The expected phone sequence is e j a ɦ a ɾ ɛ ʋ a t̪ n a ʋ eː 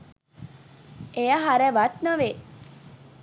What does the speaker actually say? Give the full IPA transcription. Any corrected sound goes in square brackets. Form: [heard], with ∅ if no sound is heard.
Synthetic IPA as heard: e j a ɦ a ɾ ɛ ʋ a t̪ n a ʋ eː

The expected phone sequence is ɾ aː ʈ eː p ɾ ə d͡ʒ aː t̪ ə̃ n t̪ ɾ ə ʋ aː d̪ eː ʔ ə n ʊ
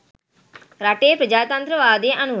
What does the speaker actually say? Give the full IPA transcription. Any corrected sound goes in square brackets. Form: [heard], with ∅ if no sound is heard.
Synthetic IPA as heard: ɾ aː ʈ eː p ɾ ə d͡ʒ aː t̪ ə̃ n t̪ ɾ ə ʋ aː d̪ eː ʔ ə n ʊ

